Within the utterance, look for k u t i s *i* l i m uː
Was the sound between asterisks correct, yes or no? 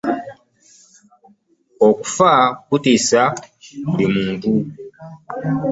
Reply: no